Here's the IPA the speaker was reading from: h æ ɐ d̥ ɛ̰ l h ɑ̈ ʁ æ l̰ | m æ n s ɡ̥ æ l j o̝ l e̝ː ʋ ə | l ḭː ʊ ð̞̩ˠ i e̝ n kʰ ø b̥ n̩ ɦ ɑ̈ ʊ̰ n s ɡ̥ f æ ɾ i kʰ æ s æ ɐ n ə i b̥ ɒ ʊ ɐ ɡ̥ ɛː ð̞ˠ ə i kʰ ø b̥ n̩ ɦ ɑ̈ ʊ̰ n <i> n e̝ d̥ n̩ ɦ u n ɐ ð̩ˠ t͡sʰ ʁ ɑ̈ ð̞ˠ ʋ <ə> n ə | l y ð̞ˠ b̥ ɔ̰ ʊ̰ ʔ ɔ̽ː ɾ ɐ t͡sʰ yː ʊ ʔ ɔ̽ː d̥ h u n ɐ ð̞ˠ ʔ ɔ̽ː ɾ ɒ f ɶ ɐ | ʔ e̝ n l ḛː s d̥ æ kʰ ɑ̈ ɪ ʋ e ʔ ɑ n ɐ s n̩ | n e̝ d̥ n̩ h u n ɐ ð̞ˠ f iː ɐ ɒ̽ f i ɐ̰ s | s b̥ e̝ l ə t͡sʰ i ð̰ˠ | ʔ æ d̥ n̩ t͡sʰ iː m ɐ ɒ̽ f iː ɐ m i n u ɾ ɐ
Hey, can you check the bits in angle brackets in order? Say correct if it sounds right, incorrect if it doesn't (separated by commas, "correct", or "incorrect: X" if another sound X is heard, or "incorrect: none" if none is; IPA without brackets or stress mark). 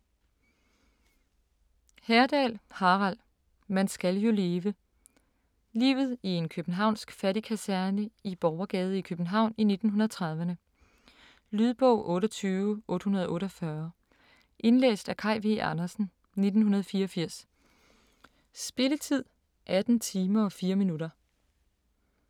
correct, correct